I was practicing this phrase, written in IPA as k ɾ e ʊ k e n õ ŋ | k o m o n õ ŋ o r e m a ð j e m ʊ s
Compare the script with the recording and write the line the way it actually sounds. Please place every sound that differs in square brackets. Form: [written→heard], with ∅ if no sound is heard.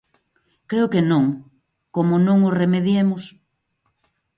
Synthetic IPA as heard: k ɾ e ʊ k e n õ ŋ | k o m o n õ ŋ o r e m [a→e] ð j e m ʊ s